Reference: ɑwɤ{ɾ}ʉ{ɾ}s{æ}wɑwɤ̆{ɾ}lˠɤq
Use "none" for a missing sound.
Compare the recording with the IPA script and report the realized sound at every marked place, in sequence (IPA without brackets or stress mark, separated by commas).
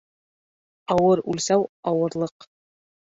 ɾ, l, æ, ɾ